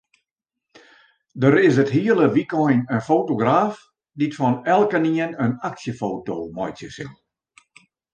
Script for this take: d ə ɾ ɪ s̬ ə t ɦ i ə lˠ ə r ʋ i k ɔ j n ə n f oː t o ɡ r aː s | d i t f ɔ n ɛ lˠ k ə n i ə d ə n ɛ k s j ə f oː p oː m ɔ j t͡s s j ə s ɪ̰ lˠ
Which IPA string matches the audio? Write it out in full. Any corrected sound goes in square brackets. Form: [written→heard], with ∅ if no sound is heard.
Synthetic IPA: d ə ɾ ɪ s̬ ə t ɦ i ə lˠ ə [r→∅] ʋ i k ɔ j n ə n f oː t o ɡ r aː [s→f] | d i t f ɔ n ɛ lˠ k ə n i ə [d→n] ə n [ɛ→a] k s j ə f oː [p→t] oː m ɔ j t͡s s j ə s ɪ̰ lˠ